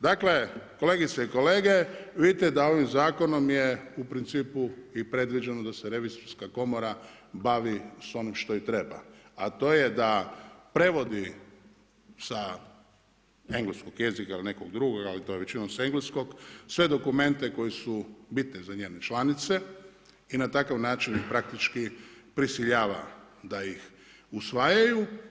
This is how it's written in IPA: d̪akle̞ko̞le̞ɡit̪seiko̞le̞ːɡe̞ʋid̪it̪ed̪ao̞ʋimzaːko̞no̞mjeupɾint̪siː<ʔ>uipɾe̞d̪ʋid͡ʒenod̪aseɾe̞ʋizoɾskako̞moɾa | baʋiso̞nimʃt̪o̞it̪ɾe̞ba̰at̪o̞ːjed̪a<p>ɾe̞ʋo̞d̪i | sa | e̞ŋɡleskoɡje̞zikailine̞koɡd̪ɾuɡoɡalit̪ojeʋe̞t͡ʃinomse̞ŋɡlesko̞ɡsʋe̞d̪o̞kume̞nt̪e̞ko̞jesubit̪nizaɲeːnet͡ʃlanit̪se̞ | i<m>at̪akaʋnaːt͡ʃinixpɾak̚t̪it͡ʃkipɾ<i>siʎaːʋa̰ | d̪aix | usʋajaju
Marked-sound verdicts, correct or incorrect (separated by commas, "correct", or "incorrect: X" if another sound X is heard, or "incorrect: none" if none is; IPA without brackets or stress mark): incorrect: p, correct, incorrect: n, correct